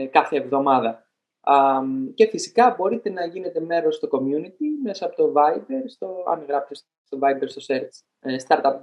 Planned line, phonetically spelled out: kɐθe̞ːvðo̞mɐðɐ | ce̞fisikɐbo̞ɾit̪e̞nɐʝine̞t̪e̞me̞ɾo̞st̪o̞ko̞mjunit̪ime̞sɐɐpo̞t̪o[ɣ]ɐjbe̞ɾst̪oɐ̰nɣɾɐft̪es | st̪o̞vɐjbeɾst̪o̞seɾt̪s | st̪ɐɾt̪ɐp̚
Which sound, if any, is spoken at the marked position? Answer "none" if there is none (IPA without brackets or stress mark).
v